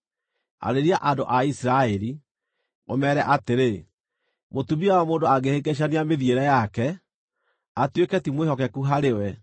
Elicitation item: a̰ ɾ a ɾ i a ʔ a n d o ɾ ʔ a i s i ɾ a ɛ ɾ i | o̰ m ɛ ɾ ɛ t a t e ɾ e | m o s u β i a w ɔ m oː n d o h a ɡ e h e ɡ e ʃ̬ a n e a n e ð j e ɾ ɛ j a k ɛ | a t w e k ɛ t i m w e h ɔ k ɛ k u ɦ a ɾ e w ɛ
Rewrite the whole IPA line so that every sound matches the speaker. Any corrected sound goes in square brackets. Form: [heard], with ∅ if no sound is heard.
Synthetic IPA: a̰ ɾ [e] ɾ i a ʔ a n d o [∅] ʔ a i s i ɾ a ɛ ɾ i | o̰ m ɛ ɾ ɛ [ʔ] a t e ɾ e | m o [t] u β i a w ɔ m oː n d o [∅] a ɡ e h e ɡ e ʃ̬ a n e a [m] e ð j e ɾ ɛ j a k ɛ | a t w e k ɛ t i m w e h ɔ k ɛ k u ɦ a ɾ e w ɛ